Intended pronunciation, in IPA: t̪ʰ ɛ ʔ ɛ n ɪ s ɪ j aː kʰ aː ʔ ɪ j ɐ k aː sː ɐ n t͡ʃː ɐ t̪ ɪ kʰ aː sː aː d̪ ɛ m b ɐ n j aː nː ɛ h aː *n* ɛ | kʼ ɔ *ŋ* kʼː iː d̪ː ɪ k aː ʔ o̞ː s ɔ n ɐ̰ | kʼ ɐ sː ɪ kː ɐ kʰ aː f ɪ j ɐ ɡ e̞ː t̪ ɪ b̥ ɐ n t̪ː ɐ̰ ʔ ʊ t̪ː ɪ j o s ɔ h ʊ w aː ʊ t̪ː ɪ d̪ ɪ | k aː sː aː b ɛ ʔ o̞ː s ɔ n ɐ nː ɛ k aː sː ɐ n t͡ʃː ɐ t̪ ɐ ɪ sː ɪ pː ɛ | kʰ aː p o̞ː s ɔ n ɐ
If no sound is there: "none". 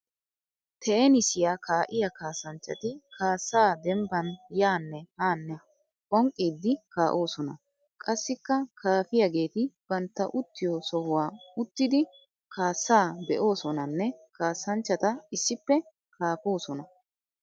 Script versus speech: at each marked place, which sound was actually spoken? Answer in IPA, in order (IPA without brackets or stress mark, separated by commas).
nː, ŋ